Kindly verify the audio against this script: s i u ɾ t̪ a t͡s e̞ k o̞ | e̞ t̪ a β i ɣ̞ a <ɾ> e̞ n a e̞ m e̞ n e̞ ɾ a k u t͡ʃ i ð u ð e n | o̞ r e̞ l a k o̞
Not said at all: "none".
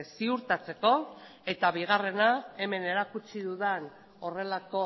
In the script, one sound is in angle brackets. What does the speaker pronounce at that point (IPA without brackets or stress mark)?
r